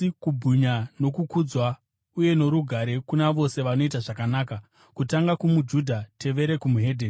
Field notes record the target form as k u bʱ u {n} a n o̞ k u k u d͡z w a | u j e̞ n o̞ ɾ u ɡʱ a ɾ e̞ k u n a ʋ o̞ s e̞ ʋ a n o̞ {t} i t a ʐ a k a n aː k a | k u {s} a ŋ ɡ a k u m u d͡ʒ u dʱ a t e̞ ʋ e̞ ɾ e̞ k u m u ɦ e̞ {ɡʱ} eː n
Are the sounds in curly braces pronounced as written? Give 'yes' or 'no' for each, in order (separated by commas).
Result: no, no, no, no